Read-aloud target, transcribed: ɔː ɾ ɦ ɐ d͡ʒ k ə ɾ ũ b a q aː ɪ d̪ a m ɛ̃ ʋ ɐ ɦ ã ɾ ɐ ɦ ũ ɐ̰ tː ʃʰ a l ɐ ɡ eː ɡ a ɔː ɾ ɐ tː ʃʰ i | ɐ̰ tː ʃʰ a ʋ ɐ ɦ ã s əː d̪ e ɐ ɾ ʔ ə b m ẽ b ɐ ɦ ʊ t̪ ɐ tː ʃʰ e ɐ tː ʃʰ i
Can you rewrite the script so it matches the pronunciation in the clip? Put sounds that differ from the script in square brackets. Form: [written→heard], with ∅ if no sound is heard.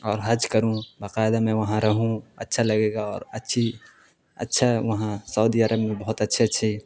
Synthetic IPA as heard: ɔː ɾ ɦ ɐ d͡ʒ k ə ɾ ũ b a q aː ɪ d̪ a m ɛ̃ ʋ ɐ ɦ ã ɾ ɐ ɦ ũ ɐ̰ tː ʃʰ a l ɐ ɡ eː ɡ a ɔː ɾ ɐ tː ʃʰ i | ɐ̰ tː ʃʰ a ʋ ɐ ɦ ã s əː d̪ [e→i] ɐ ɾ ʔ ə b m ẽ b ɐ ɦ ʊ t̪ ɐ tː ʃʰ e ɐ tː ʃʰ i

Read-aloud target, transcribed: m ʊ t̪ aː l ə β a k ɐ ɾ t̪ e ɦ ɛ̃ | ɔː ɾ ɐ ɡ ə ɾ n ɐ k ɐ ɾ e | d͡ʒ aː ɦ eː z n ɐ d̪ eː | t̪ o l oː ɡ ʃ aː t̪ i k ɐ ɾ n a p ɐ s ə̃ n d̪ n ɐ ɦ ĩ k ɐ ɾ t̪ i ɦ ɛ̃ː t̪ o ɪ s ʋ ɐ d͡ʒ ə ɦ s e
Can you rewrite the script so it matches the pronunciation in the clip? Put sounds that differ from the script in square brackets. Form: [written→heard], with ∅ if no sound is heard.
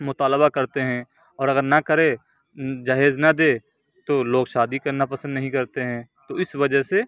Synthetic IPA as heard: m ʊ t̪ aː l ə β a k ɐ ɾ t̪ e ɦ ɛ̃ | ɔː ɾ ɐ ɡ ə ɾ n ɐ k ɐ ɾ e | d͡ʒ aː ɦ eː z n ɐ d̪ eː | t̪ o l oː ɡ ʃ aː [t̪→d̪] i k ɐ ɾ n a p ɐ s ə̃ n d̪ n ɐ ɦ ĩ k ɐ ɾ t̪ [i→e] ɦ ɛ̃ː t̪ o ɪ s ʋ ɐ d͡ʒ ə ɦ s e

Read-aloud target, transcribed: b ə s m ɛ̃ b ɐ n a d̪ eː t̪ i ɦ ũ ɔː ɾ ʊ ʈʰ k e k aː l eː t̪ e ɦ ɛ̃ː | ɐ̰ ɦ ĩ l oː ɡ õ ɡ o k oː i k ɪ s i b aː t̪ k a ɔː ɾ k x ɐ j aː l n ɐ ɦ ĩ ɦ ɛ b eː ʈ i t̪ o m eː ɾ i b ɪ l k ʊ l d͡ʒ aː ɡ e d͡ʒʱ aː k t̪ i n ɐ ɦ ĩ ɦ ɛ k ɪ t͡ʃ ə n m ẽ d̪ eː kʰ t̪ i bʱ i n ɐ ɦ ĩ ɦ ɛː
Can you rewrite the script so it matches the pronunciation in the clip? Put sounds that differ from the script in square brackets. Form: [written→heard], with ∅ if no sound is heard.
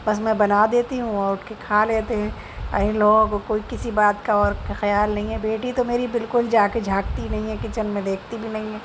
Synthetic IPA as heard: b [ə→ɐ] s m ɛ̃ b ɐ n a d̪ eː t̪ i ɦ ũ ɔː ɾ ʊ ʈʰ k e [k→kʰ] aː l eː t̪ e ɦ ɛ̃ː | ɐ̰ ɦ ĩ l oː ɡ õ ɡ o k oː i k ɪ s i b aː t̪ k a ɔː ɾ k x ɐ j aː l n ɐ ɦ ĩ ɦ ɛ b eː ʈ i t̪ o m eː ɾ i b ɪ l k ʊ l d͡ʒ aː [ɡ→k] e d͡ʒʱ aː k t̪ i n ɐ ɦ ĩ ɦ ɛ k ɪ t͡ʃ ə n m ẽ d̪ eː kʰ t̪ i bʱ i n ɐ ɦ ĩ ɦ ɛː

